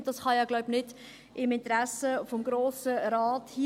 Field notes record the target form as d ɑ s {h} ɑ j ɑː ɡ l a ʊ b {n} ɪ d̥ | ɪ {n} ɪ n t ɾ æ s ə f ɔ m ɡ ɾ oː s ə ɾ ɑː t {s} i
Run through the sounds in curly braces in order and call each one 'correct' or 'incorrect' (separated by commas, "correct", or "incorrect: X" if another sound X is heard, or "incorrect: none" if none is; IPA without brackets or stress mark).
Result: incorrect: χ, correct, incorrect: m, incorrect: h